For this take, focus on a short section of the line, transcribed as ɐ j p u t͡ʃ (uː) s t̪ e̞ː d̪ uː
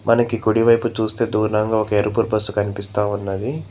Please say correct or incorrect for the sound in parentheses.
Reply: correct